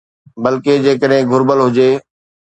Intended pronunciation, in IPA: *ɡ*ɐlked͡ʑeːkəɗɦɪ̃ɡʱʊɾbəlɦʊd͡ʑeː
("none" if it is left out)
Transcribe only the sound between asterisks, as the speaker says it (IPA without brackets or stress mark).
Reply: b